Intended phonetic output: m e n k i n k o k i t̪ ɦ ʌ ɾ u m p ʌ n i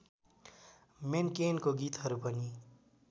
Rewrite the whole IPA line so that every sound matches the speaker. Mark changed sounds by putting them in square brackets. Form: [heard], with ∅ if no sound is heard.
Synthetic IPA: m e n k [e] n k o [ɡ] i t̪ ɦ ʌ ɾ u [∅] p ʌ n i